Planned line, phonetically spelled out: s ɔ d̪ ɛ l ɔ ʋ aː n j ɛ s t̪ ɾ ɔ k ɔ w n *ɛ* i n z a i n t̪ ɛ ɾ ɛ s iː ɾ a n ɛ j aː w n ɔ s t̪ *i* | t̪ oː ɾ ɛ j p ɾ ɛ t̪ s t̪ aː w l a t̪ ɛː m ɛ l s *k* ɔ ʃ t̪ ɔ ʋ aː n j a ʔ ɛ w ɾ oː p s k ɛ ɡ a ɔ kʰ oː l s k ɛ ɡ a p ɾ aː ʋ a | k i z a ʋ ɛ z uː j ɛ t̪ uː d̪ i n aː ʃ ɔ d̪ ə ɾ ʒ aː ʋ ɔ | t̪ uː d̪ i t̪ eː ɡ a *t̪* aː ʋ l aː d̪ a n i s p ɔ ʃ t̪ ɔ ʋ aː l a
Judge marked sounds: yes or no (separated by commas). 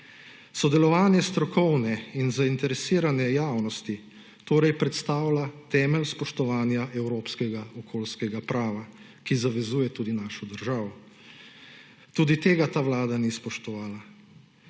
yes, yes, no, yes